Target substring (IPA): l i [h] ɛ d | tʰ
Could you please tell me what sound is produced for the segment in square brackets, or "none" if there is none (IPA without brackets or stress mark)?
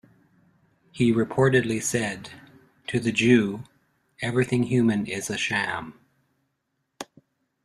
s